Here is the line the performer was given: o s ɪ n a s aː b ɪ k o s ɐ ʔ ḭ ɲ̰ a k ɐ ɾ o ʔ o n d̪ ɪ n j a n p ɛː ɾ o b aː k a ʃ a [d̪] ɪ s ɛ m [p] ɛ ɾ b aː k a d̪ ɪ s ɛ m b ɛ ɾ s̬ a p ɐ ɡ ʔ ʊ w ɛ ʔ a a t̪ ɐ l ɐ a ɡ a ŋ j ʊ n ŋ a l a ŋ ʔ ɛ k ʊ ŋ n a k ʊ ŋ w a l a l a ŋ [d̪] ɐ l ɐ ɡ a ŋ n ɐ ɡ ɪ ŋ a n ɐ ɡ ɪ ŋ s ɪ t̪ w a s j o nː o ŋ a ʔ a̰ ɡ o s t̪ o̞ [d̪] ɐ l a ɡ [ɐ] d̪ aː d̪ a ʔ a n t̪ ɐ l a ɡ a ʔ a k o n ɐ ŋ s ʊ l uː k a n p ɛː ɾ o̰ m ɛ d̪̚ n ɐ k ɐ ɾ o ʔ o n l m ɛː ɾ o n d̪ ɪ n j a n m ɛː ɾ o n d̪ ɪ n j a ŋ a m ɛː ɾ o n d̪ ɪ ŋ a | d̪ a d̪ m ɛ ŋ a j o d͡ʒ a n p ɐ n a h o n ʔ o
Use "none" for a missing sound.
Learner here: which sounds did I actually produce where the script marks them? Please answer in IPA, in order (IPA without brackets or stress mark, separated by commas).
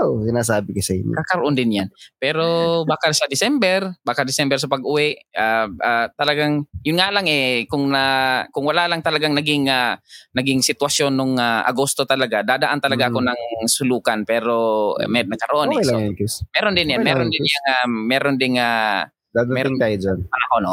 d̪, b, t̪, t̪, a